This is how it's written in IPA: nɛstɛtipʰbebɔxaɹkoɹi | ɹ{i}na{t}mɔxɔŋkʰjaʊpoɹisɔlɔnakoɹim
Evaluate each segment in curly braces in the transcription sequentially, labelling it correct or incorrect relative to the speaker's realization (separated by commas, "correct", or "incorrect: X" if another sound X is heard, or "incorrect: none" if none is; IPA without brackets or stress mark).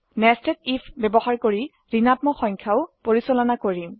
correct, correct